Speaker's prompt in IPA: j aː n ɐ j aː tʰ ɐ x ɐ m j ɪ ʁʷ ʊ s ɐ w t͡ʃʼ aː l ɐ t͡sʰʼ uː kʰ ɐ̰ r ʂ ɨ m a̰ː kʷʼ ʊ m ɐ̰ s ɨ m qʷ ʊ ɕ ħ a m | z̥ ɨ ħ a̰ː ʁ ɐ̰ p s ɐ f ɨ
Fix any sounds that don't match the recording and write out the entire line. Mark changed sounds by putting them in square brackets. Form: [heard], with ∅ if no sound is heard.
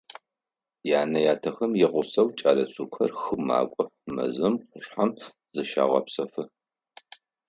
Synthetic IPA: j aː n ɐ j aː tʰ ɐ x ɐ m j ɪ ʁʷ ʊ s ɐ w t͡ʃʼ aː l ɐ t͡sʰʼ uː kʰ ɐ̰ r [x] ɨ m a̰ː kʷʼ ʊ m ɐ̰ [z] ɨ m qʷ ʊ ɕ ħ a m | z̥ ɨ [ʃ] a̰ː ʁ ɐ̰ p s ɐ f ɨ

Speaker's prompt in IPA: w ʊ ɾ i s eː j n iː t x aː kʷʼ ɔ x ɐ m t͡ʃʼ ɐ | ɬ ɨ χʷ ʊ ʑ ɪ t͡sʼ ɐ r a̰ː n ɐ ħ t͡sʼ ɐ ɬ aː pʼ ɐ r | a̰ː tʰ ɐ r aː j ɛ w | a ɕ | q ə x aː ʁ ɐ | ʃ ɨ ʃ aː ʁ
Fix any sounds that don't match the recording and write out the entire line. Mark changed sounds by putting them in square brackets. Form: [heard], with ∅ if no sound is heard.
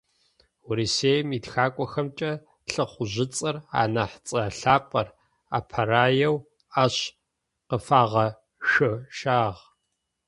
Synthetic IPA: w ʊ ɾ i s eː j [m] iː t x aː kʷʼ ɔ x ɐ m t͡ʃʼ ɐ | ɬ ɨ χʷ ʊ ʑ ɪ t͡sʼ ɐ r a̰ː n ɐ ħ t͡sʼ ɐ ɬ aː pʼ ɐ r | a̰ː [pʰ] ɐ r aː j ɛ w | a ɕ | q ə [f] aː ʁ ɐ | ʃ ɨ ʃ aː ʁ

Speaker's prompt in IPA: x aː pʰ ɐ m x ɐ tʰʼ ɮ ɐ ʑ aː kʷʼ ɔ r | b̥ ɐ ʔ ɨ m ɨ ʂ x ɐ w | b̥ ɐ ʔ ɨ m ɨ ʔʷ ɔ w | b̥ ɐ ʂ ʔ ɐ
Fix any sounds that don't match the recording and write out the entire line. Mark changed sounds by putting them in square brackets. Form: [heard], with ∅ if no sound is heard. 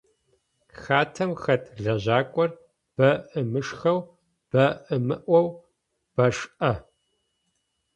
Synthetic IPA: x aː [tʰ] ɐ m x ɐ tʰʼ ɮ ɐ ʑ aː kʷʼ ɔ r | b̥ ɐ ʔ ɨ m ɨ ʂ x ɐ w | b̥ ɐ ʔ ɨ m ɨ ʔʷ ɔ w | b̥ ɐ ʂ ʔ ɐ

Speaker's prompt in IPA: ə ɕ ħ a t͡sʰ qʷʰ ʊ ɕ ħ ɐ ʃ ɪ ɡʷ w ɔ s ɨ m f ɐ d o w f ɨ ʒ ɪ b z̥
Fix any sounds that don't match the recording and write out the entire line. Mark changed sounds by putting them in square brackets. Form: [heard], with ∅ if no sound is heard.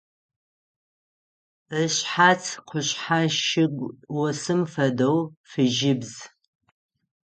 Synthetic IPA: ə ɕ ħ a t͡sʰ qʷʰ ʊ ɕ ħ [a] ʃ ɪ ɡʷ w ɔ s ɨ m f ɐ d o w f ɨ ʒ ɪ b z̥

